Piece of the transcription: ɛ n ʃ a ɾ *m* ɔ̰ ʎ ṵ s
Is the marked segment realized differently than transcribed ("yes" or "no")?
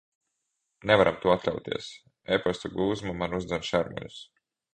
no